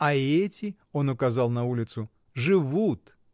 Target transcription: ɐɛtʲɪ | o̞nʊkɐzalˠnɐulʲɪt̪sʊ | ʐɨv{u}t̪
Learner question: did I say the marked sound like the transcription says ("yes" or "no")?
yes